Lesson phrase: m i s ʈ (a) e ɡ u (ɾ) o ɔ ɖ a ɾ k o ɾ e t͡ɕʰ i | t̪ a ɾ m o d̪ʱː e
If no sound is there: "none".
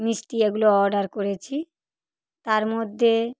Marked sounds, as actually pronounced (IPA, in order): i, l

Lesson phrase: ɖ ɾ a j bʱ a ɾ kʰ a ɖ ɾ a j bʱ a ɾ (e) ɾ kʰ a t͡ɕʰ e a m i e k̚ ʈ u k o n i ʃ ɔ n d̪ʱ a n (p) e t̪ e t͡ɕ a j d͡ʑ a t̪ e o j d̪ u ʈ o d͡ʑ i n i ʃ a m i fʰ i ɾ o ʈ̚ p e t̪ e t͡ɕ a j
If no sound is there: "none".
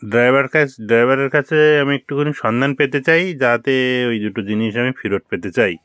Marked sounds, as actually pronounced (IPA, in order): e, p

